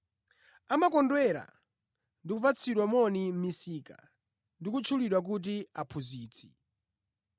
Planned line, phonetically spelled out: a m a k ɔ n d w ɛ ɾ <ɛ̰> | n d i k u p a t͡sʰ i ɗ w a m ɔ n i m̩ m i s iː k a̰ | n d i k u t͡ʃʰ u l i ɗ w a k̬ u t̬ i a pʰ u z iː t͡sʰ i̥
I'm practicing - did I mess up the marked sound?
yes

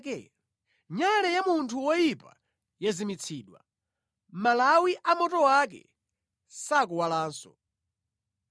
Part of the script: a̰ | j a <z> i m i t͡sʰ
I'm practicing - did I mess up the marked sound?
no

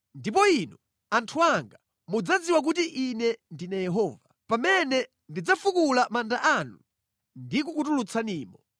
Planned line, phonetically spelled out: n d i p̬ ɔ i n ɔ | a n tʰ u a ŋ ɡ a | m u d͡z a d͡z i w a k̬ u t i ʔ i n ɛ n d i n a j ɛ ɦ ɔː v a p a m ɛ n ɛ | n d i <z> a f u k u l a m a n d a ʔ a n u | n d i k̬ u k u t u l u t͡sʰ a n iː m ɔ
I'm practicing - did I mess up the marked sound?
yes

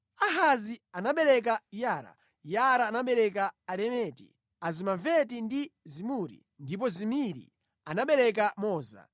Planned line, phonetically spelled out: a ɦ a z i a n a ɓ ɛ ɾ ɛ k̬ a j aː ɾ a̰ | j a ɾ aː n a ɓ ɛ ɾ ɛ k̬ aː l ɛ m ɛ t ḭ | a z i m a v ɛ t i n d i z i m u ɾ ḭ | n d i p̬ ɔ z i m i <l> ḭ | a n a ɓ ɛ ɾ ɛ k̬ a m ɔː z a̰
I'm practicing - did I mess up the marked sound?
yes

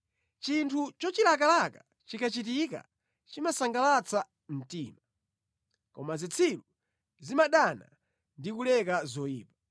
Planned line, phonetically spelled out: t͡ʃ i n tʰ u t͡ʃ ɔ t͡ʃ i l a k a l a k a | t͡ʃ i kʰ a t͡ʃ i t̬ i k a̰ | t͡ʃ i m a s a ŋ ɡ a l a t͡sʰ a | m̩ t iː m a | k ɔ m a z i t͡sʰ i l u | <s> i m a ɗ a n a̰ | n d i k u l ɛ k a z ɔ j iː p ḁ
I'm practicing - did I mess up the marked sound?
yes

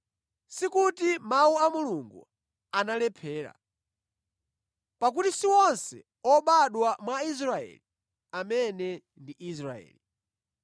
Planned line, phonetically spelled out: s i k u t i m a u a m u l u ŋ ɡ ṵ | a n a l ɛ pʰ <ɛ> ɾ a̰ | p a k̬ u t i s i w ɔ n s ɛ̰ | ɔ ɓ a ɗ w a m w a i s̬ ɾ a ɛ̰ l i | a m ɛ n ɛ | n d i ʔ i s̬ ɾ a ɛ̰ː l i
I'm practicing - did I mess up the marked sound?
yes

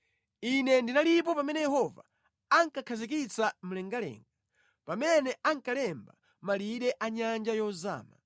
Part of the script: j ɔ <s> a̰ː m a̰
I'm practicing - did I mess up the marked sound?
yes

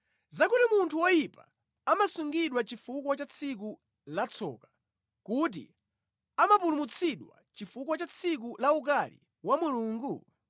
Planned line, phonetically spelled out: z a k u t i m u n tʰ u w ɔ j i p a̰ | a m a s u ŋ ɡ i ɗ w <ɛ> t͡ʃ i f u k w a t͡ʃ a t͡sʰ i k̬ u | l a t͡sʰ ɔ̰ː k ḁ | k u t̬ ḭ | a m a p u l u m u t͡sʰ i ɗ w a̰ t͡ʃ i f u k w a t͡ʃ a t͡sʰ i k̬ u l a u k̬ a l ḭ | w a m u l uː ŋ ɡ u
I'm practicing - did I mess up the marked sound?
yes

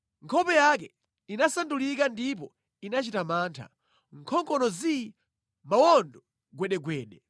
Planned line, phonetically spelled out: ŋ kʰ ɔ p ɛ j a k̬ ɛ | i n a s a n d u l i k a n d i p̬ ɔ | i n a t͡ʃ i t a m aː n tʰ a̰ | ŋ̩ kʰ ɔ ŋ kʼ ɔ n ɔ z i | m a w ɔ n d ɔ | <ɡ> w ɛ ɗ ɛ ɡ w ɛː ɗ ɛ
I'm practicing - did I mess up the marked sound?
no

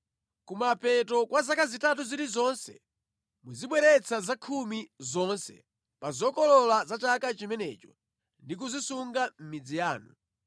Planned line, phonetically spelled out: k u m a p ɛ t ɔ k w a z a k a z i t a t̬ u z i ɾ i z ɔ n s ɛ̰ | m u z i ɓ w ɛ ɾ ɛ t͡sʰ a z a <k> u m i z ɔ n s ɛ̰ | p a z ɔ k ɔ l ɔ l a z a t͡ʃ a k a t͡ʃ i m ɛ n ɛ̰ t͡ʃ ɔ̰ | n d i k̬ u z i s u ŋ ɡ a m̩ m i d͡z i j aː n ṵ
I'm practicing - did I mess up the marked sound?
yes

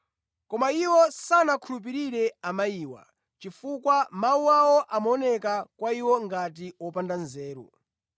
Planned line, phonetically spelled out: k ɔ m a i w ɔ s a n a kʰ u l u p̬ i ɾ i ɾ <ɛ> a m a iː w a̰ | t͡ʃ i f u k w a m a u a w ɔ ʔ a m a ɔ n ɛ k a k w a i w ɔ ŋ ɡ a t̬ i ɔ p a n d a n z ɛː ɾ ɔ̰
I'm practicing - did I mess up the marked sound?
no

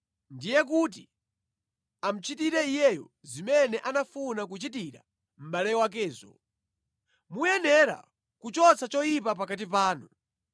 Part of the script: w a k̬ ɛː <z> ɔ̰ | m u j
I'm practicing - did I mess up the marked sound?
no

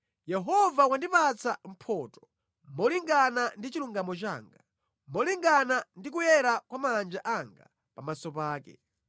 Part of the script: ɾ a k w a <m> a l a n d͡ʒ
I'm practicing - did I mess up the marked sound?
no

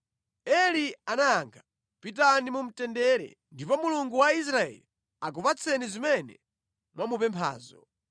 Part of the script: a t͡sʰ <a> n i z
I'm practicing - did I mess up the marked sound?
yes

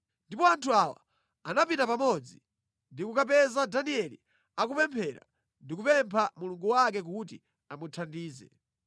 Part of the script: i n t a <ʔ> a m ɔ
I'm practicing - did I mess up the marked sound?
yes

